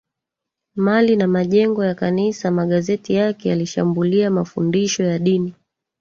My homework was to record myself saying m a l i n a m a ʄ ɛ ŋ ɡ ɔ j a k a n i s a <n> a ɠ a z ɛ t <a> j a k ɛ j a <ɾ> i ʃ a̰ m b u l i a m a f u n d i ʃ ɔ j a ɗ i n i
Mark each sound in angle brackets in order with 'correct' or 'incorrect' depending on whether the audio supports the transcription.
incorrect, incorrect, incorrect

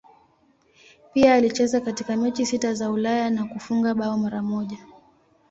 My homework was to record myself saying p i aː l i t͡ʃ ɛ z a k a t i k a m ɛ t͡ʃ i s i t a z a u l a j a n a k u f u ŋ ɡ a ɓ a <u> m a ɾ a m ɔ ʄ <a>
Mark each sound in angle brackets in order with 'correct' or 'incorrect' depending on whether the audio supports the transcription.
incorrect, correct

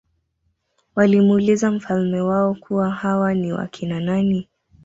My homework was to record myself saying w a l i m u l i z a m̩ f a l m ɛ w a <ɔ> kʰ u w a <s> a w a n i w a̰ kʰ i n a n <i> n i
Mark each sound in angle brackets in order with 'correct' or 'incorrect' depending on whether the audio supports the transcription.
correct, incorrect, incorrect

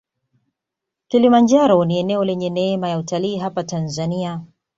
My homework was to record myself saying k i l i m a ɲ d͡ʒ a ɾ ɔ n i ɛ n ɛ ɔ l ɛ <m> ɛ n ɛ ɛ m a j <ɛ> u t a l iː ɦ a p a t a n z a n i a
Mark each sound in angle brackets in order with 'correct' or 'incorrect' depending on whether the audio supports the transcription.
incorrect, incorrect

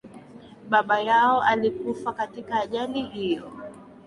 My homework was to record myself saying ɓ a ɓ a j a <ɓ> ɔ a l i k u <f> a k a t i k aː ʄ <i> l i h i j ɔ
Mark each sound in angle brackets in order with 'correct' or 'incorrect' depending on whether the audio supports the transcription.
incorrect, correct, incorrect

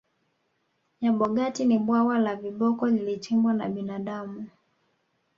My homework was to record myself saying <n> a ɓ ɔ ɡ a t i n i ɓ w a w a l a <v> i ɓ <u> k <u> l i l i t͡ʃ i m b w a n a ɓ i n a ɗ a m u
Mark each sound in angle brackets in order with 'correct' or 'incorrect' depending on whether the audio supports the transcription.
incorrect, correct, incorrect, incorrect

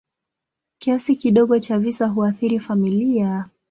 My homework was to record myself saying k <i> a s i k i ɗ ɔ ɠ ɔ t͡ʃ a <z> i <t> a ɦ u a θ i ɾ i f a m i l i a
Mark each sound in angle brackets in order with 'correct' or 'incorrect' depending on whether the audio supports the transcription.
correct, incorrect, incorrect

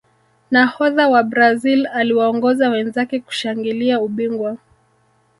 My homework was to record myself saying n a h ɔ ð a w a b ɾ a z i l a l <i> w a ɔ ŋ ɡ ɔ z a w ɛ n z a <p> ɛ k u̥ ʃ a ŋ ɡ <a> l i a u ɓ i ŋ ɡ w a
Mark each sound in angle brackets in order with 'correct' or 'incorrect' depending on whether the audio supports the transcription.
correct, incorrect, incorrect

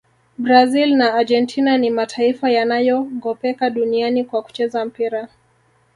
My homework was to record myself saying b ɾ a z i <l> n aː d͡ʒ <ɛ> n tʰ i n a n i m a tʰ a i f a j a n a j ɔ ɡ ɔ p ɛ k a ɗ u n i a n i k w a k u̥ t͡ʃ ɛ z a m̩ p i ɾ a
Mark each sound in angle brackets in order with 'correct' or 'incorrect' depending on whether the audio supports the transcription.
correct, correct

